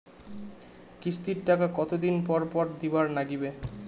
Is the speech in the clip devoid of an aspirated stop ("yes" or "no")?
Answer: yes